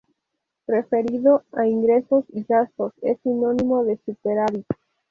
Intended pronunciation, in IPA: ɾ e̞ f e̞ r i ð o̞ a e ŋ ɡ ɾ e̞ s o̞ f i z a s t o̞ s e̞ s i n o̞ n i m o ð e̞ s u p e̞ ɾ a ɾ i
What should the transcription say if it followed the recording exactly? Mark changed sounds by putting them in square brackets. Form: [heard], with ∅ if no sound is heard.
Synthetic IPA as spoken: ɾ e̞ f e̞ [ɾ] i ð o̞ a [i] ŋ ɡ ɾ e̞ s o̞ [s] i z a s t o̞ s e̞ s i n o̞ n i m o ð e̞ s u p e̞ ɾ a ɾ i